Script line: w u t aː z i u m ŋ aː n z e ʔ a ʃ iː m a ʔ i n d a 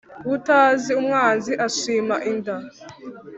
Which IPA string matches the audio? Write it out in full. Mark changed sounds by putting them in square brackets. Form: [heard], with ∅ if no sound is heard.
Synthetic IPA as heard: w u t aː z i u m ŋ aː n z [i] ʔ a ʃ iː m a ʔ i n d a